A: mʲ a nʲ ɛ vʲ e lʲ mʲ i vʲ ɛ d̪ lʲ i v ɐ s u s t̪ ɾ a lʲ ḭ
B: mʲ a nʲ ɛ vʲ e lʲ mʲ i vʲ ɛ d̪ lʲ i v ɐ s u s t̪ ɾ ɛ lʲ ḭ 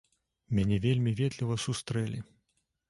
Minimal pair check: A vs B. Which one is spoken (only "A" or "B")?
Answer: B